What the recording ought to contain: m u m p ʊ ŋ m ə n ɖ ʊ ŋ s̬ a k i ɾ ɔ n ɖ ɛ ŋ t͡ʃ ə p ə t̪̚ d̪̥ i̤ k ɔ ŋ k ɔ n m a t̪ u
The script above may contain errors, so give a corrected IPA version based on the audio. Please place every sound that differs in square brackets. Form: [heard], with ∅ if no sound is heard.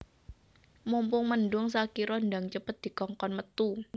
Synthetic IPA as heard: m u m p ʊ ŋ m ə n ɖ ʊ ŋ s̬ a k i ɾ ɔ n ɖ [a] ŋ t͡ʃ ə p ə t̪̚ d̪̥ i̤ k ɔ ŋ k ɔ n m [ə] t̪ u